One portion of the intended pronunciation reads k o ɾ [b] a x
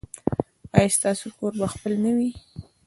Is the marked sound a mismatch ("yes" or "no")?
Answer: no